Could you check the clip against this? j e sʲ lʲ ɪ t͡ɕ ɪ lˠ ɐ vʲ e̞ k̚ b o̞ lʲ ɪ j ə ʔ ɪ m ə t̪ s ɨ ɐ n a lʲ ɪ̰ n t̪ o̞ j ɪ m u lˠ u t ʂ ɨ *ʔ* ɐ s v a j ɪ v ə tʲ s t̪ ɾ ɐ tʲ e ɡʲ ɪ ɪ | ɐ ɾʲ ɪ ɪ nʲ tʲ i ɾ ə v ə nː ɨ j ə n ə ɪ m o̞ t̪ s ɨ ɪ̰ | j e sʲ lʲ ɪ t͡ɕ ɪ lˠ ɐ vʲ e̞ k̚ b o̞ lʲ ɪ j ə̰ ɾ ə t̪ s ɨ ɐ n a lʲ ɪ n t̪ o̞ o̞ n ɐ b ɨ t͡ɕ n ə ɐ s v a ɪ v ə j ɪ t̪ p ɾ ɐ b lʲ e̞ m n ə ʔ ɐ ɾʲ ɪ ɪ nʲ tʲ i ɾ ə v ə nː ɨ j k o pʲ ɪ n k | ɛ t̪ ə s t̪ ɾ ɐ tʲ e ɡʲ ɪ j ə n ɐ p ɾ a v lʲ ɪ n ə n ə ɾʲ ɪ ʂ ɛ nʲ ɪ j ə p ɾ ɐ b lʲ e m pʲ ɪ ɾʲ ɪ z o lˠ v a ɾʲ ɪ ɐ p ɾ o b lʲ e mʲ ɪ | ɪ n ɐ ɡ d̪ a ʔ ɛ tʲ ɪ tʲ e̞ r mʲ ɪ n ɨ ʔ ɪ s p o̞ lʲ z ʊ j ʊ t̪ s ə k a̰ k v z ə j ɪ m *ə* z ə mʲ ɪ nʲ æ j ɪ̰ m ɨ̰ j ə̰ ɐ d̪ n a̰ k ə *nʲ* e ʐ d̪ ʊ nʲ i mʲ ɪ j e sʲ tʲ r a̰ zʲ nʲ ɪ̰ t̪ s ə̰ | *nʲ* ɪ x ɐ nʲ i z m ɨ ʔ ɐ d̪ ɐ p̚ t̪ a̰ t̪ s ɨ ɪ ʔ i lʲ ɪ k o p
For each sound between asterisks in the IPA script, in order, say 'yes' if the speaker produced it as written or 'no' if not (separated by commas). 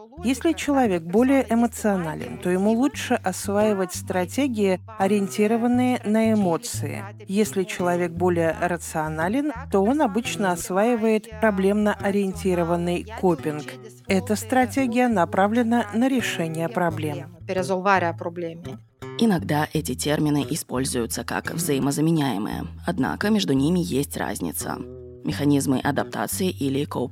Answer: yes, yes, no, no